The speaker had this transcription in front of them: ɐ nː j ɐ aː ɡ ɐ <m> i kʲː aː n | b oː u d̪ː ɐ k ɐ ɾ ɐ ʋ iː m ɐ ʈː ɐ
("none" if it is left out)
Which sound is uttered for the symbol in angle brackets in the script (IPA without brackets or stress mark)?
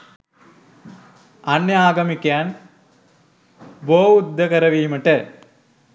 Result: m